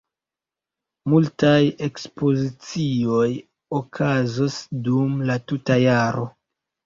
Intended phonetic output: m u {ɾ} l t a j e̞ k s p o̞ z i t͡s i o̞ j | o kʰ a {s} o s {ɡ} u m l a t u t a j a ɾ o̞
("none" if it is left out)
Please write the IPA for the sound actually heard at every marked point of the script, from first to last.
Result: none, z, d

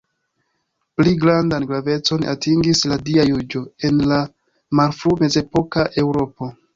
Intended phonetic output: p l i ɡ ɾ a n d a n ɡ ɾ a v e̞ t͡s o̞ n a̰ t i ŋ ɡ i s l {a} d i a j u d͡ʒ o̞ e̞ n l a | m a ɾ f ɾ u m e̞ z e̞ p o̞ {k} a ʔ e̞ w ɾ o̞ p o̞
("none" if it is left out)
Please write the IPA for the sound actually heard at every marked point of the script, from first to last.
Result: a, k

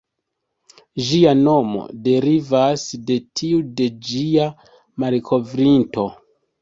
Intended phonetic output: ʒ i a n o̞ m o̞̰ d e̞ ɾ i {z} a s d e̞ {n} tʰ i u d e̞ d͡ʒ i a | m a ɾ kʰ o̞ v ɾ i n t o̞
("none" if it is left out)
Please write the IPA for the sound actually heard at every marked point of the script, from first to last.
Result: v, none

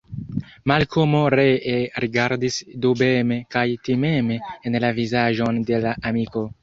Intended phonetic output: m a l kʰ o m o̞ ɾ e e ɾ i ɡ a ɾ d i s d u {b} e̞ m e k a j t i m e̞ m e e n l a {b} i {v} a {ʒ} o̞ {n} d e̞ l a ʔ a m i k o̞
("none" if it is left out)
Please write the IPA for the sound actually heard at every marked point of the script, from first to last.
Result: b, v, z, ʒ, n

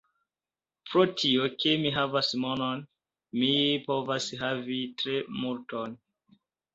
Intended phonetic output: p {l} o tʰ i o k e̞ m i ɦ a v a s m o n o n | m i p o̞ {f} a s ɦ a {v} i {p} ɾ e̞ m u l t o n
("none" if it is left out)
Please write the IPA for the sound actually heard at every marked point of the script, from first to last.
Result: ɾ, v, v, t

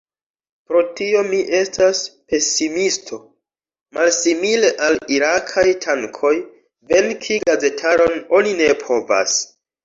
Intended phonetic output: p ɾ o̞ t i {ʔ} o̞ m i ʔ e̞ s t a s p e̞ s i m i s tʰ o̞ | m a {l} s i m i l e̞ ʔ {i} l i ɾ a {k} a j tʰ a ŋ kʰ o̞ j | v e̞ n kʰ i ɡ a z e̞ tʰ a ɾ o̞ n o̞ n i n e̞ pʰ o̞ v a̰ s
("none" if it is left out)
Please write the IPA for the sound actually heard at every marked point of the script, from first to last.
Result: none, l, a, kʰ

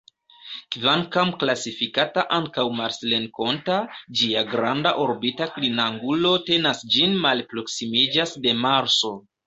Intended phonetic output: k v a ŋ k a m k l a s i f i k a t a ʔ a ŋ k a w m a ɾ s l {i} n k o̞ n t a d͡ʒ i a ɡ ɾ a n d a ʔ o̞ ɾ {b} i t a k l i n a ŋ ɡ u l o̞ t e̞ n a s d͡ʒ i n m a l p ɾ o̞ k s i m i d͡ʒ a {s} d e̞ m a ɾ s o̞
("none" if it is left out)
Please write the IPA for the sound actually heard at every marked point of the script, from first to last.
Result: e, b, s

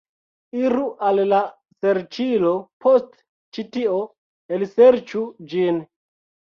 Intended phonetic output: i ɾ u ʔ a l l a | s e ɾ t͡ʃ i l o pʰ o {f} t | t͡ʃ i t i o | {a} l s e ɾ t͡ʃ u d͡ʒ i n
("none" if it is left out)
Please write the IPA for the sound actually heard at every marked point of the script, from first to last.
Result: s, e

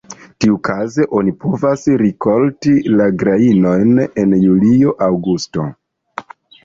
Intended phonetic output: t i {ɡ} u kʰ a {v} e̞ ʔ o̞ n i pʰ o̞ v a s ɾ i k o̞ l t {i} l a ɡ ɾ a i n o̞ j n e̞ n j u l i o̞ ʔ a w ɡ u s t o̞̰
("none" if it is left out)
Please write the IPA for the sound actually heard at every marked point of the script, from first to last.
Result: none, z, i

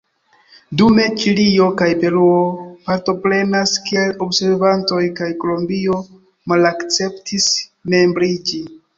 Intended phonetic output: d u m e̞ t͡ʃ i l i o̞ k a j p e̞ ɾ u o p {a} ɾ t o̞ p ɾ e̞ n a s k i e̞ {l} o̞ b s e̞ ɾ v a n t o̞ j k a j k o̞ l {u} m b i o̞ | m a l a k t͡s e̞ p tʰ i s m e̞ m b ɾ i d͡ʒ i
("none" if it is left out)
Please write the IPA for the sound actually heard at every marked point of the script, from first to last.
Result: a, l, o

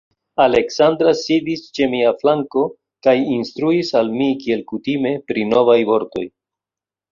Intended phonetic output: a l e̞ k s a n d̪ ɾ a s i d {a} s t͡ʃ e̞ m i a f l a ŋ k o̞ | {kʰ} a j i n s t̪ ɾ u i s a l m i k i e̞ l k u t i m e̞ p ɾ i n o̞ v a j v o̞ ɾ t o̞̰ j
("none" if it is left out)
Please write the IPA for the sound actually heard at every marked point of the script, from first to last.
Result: i, k

